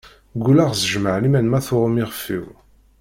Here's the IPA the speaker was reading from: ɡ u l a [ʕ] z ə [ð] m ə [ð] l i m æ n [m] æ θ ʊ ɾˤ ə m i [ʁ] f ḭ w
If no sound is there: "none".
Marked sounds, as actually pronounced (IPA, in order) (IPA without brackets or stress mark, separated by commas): ʁ, ʒ, ʕ, m, ʁ